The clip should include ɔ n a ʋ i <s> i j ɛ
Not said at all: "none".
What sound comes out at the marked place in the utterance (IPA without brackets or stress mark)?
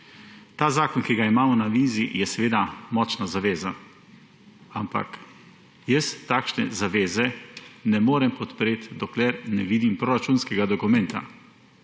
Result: z